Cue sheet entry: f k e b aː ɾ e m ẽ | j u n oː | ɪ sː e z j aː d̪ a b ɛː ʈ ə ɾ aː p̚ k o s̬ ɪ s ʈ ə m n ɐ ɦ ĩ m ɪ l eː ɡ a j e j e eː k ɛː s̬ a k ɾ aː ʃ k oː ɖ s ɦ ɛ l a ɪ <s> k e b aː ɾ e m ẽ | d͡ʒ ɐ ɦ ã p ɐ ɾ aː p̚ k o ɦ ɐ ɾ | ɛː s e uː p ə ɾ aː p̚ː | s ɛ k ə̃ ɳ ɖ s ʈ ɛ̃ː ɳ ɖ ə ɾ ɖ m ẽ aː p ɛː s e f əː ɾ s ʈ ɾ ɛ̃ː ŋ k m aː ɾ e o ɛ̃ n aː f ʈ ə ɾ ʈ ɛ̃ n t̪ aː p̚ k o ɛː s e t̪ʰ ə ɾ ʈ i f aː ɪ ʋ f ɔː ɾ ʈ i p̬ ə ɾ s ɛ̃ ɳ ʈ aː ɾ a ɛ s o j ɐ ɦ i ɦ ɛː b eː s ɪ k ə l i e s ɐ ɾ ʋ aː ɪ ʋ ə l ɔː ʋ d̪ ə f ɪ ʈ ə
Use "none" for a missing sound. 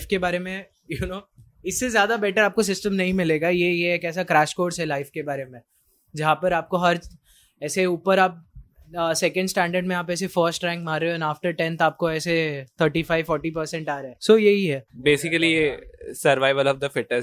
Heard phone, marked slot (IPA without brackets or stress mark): f